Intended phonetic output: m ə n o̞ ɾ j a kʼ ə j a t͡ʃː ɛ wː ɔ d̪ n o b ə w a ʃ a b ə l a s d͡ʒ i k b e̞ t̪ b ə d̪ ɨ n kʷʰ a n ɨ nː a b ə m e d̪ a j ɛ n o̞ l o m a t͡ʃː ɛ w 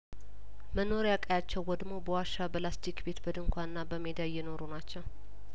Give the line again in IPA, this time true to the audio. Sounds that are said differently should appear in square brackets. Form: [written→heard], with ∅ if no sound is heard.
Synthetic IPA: m ə n o̞ ɾ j a kʼ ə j a t͡ʃː ɛ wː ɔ d̪ [n→m] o b ə w a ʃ a b ə l a s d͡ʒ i k b e̞ t̪ b ə d̪ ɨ [n→ŋ] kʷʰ a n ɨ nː a b ə m e d̪ a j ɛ n o̞ [l→ɾ] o [m→n] a t͡ʃː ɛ w